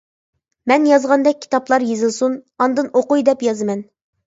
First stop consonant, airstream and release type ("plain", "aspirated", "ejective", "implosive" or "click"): plain